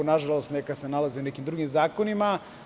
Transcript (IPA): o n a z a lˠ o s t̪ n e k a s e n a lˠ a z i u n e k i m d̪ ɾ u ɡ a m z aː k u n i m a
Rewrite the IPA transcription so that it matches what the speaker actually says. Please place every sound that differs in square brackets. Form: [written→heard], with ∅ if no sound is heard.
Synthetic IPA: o n a [z→ʒ] a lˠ o s t̪ n e k a s e n a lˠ a z i u n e k i m d̪ ɾ u ɡ [a→i] m z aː k [u→o] n i m a